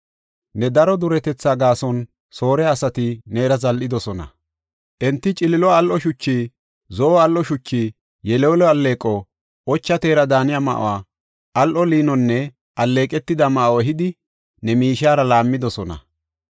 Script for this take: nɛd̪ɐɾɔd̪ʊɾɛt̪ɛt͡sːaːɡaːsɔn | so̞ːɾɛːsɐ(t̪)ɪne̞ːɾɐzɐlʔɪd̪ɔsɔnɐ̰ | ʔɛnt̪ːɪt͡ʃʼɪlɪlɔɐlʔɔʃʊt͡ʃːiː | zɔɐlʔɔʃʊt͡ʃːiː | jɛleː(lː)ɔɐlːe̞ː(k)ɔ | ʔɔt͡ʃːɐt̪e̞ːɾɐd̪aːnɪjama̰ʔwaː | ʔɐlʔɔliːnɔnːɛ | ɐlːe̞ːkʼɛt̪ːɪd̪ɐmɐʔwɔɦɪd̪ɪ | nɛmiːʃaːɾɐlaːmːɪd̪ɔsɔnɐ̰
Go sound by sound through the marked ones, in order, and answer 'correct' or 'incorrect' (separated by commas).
correct, incorrect, incorrect